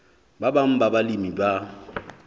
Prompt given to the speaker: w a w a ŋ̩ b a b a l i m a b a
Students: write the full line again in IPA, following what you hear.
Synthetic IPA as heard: b a b a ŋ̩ b a b a l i m i b a

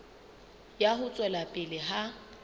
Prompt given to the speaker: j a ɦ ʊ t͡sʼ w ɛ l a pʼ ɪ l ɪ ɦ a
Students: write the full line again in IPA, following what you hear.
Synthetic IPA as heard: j a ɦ ʊ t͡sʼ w ɛ l a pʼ ɪ l ɪ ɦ a

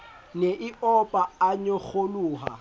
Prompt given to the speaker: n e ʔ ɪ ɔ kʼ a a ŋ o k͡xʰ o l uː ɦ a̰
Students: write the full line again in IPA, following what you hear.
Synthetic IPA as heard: n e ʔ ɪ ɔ pʼ a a ɲ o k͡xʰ o l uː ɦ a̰

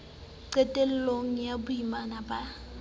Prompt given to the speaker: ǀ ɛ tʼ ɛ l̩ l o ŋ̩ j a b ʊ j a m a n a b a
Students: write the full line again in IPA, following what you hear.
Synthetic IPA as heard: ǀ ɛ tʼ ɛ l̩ l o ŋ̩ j a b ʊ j i m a n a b a

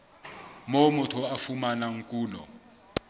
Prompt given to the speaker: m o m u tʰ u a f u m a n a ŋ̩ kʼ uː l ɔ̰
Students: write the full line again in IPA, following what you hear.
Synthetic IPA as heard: m o m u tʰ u a f u m a n a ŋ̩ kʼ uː l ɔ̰

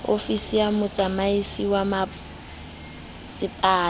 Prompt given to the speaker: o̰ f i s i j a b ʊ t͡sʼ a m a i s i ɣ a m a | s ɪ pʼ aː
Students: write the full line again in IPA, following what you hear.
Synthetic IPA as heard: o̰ f i s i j a m ʊ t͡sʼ a m a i s i w a m a | s ɪ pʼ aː

